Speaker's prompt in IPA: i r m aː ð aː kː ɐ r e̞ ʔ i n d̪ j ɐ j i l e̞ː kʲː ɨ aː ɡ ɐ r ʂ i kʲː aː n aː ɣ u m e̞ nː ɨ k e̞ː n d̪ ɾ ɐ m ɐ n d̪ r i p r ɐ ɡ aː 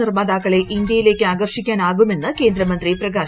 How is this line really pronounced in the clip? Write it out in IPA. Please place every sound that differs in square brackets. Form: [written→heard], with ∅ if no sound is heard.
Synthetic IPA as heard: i r m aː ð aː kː ɐ [r→ɭ] e̞ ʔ i n d̪ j ɐ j i l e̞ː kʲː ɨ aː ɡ ɐ r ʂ i kʲː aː n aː ɣ u m e̞ nː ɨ k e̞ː n d̪ ɾ ɐ m ɐ n d̪ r i p r ɐ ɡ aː